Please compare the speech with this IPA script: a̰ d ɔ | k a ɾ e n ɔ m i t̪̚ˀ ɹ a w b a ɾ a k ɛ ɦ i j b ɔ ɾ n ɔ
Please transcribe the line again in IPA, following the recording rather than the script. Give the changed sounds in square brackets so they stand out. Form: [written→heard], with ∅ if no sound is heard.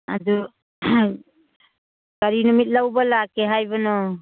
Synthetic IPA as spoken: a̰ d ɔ | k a ɾ [e→i] n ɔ m i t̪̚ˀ [ɹ→l] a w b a [ɾ→l] a k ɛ ɦ [i→a] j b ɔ [ɾ→∅] n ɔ